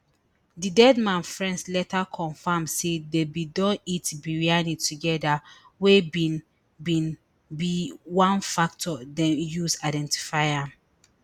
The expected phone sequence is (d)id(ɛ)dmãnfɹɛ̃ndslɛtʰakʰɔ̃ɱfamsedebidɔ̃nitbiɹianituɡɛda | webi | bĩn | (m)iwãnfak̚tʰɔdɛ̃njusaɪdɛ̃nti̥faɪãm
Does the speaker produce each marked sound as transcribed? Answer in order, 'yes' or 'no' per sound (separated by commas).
yes, yes, no